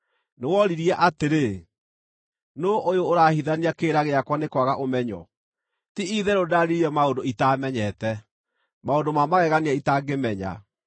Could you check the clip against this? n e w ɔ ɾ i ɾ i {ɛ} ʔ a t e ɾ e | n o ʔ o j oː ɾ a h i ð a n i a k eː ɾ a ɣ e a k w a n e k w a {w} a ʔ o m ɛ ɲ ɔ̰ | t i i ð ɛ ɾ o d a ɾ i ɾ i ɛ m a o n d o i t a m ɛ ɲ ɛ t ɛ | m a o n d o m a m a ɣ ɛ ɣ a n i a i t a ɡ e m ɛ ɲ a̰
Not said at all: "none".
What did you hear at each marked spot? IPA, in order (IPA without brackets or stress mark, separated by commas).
ɛ, ɣ